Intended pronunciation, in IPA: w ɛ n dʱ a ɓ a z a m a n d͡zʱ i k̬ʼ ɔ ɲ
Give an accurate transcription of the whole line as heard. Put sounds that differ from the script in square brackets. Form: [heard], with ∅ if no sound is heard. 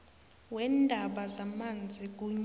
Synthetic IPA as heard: w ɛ n dʱ a ɓ a z a m a n d͡zʱ i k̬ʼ [u] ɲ